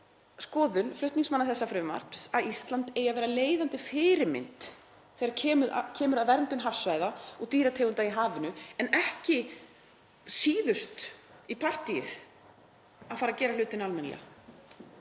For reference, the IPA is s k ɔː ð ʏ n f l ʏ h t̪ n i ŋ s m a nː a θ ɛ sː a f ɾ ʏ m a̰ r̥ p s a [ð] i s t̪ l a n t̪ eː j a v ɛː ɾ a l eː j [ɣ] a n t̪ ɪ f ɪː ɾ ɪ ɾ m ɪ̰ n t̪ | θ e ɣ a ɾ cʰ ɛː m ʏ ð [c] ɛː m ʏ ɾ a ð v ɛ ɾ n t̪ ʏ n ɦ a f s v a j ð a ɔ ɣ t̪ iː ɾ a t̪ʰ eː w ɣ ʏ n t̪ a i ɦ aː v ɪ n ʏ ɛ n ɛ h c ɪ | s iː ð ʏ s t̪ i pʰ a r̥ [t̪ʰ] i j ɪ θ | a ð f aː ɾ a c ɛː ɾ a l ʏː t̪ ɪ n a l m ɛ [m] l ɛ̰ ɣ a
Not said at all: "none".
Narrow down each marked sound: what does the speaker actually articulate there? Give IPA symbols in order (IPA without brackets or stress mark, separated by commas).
ð, ð, cʰ, t̪, n